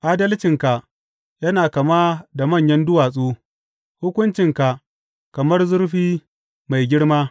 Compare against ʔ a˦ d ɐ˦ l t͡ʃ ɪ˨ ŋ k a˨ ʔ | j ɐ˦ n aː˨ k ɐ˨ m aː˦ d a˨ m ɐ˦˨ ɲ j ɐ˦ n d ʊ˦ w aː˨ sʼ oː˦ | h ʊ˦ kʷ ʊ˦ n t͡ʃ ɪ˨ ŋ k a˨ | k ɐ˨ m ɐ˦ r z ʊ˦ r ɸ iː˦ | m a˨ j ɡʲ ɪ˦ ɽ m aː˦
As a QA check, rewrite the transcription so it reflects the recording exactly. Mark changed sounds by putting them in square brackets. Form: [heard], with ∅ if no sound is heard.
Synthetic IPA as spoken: ʔ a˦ d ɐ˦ l t͡ʃ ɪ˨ ŋ k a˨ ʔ | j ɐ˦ n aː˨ k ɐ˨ m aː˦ d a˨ m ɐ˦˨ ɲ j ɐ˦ n d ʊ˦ w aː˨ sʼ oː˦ | h ʊ˦ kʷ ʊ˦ n t͡ʃ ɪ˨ ŋ k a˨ | k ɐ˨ m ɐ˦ r z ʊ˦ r ɸ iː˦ | m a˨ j ɡʲ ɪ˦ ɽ m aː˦